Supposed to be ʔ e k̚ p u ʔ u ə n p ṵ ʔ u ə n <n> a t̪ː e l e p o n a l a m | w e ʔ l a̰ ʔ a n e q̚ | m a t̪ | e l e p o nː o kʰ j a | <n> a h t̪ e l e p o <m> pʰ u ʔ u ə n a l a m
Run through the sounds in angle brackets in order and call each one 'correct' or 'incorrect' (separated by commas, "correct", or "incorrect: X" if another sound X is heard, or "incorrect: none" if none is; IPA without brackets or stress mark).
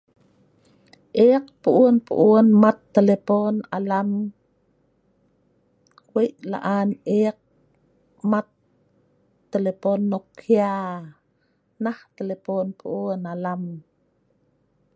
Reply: incorrect: m, correct, incorrect: n